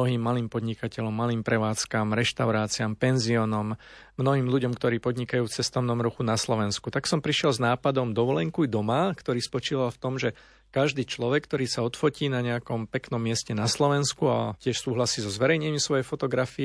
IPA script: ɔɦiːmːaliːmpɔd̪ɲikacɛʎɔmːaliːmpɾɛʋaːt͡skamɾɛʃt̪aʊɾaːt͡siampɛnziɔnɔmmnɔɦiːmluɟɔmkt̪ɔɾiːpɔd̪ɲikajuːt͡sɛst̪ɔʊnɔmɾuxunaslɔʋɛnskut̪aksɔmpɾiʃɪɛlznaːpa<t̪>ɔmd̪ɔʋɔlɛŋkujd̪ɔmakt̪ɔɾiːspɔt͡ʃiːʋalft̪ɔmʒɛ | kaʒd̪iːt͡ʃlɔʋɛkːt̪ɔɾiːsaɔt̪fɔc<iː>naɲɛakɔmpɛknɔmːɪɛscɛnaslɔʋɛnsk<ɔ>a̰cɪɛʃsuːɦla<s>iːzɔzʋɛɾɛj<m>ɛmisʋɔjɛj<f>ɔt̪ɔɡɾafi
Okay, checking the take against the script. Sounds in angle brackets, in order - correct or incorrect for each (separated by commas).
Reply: incorrect, correct, incorrect, correct, incorrect, correct